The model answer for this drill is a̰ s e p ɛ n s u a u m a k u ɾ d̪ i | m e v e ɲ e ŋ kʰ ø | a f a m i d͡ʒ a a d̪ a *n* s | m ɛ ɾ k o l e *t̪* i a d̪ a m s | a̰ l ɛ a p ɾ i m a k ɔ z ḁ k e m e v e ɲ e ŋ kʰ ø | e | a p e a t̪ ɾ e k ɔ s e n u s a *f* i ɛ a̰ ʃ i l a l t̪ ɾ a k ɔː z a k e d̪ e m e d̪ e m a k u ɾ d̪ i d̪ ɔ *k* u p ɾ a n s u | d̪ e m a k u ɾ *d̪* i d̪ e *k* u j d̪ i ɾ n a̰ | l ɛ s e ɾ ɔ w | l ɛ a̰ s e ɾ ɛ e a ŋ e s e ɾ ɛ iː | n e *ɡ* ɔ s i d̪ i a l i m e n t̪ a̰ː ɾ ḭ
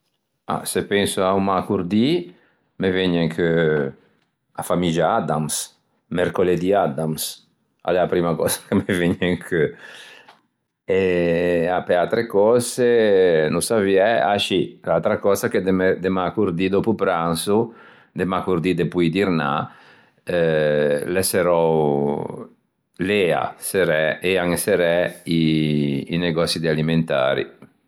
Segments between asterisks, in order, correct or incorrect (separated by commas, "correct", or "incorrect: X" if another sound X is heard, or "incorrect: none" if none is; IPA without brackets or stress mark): incorrect: m, incorrect: d̪, incorrect: v, incorrect: p, correct, incorrect: p, correct